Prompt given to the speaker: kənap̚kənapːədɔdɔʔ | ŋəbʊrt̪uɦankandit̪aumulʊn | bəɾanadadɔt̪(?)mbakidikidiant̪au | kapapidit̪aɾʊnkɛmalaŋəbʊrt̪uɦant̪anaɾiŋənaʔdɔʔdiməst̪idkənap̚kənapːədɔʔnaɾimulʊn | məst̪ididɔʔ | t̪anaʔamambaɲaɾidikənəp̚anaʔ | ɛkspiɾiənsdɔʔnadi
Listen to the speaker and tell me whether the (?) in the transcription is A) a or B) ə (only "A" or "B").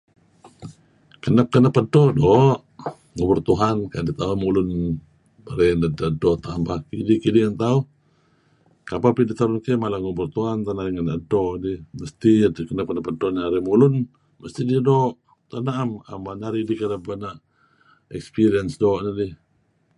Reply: A